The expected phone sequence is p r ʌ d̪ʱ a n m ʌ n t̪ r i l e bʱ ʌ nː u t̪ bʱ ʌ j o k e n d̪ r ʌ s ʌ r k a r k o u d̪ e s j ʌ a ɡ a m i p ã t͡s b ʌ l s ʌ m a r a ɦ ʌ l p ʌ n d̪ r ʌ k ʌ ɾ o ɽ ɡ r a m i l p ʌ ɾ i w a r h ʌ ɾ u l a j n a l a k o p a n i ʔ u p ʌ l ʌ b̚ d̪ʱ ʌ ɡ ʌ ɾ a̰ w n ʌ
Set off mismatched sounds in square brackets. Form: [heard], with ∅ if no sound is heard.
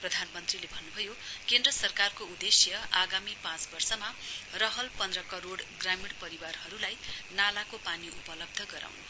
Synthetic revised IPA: p r ʌ d̪ʱ a n m ʌ n t̪ r i l e bʱ ʌ nː u [∅] bʱ ʌ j o k e n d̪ r ʌ s ʌ r k a r k o u d̪ e s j ʌ a ɡ a m i p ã t͡s b ʌ [r] s ʌ m a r [ʌ] ɦ ʌ l p ʌ n d̪ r ʌ k ʌ ɾ o ɽ ɡ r a m i [ɽ] p ʌ ɾ i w a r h ʌ ɾ u l a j n a l a k o p a n i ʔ u p ʌ l ʌ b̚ d̪ʱ ʌ ɡ ʌ ɾ a̰ w n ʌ